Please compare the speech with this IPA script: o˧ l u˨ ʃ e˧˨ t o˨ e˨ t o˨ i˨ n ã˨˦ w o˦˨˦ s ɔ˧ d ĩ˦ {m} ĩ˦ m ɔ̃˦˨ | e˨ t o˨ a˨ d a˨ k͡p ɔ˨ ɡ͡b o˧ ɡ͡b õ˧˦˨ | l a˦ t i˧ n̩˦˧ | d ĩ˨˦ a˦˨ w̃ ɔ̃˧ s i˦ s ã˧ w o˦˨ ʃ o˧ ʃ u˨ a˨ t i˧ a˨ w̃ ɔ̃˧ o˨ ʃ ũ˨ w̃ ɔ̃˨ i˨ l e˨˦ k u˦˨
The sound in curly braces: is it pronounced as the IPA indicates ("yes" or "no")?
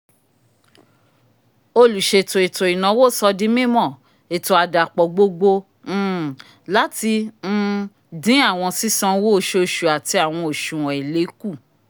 yes